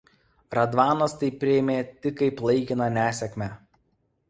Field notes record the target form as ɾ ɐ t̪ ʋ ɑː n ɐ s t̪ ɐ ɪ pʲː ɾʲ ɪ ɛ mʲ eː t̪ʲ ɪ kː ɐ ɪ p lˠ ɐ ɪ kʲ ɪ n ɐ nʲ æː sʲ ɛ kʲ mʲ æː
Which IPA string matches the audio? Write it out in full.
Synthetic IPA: ɾ ɐ d̪ ʋ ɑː n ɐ s t̪ ɐ ɪ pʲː ɾʲ ɪ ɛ mʲ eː t̪ʲ ɪ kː ɐ ɪ p lˠ ɐ ɪ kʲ ɪ n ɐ nʲ æː sʲ ɛ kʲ mʲ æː